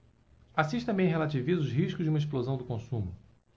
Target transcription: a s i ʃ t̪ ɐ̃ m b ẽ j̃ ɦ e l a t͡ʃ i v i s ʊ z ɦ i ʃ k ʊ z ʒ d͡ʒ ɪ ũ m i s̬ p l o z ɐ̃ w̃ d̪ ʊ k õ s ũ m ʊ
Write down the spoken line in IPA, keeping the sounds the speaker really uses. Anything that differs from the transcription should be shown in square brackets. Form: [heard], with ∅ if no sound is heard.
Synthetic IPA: a s i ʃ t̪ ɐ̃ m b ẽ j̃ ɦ e l a t͡ʃ i v i [z] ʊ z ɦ i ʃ k ʊ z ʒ d͡ʒ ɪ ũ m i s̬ p l o z ɐ̃ w̃ d̪ ʊ k õ s ũ m ʊ